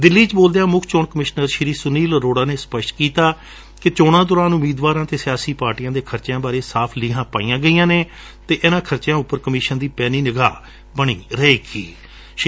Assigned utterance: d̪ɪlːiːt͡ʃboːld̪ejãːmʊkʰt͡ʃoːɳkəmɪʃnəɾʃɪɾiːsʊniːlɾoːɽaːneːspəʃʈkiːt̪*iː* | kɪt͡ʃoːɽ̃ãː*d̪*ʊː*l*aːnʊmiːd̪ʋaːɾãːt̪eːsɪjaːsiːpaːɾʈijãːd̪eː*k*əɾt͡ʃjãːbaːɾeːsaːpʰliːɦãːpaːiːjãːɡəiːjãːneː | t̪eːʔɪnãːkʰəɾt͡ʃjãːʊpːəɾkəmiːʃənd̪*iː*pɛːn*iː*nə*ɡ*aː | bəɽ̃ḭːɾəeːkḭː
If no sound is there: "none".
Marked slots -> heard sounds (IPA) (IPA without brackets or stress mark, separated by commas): aː, d̪, ɾ, kʰ, iː, iː, ɡ